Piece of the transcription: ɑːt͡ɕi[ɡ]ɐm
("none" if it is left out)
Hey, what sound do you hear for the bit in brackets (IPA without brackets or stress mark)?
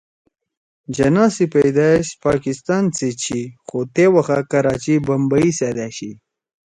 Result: b